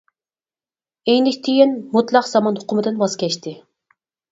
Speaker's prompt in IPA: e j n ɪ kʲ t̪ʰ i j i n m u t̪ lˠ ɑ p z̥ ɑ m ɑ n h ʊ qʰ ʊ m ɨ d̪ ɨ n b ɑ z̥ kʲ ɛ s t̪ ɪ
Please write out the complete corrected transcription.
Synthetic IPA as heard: e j n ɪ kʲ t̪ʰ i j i n m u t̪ lˠ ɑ q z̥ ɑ m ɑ n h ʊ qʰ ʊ m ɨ d̪ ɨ n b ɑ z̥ kʲ ɛ ʃ t̪ ɪ